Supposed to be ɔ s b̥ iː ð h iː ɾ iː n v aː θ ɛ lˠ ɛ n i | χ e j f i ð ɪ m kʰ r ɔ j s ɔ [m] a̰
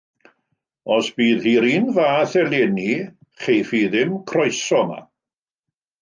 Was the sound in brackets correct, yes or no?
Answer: yes